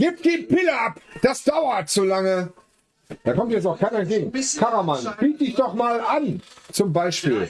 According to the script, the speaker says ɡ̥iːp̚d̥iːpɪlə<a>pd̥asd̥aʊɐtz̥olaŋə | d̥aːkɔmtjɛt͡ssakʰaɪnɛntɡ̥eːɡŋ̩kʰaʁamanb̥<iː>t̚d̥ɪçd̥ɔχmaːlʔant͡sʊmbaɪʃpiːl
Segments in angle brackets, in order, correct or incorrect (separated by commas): correct, correct